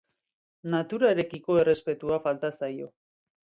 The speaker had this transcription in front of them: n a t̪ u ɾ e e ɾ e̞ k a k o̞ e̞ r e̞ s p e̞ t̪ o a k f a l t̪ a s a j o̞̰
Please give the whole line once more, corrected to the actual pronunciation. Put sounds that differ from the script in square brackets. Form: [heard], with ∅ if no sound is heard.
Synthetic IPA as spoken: n a t̪ u ɾ [a] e ɾ e̞ k [i] k o̞ e̞ r e̞ s p e̞ t̪ [u] a [∅] f a l t̪ a s a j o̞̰